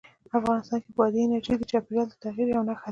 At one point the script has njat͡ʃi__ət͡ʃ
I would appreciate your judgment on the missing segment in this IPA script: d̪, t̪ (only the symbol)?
d̪